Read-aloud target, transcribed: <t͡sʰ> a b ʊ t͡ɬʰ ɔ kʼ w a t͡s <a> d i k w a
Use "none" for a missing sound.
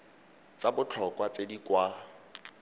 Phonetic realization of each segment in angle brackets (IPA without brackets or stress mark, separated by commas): t͡s, e